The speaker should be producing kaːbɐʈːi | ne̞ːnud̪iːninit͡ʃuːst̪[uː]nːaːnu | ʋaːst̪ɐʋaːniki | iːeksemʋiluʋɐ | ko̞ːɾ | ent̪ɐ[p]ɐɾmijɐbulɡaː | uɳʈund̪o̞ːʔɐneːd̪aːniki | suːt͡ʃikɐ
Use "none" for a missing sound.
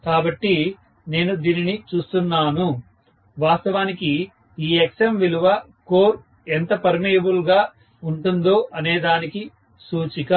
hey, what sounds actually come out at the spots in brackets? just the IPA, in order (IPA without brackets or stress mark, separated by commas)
u, p